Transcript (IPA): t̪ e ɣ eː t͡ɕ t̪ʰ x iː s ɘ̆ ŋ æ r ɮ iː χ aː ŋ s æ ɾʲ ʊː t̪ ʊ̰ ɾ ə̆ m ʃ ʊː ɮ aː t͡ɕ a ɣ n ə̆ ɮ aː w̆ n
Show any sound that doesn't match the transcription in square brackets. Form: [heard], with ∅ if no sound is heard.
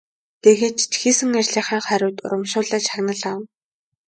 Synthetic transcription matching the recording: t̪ e ɣ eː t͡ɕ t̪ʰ x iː s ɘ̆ ŋ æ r ɮ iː χ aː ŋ [χ] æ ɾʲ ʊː t̪ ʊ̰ ɾ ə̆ m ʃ ʊː ɮ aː t͡ɕ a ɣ n ə̆ ɮ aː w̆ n